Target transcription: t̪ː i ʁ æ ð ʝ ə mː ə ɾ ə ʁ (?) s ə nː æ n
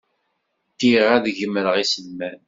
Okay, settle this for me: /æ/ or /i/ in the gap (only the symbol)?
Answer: i